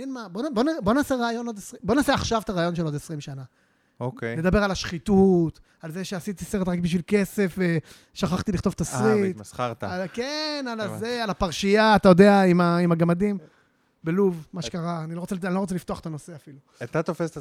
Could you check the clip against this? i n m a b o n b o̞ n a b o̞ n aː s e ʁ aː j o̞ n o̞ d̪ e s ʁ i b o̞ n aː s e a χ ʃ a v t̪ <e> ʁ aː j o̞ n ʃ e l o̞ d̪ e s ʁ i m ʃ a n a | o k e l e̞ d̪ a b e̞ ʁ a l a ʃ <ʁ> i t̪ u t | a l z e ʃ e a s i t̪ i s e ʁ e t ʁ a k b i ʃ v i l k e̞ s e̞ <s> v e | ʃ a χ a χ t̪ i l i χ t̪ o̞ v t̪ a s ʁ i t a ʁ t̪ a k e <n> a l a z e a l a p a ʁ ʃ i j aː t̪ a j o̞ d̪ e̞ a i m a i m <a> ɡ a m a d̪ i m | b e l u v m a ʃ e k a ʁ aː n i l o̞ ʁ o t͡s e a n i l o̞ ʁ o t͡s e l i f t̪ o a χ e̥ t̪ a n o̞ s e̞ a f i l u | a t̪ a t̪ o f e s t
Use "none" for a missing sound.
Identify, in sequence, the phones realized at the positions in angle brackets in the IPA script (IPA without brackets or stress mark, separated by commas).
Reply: a, χ, f, n, a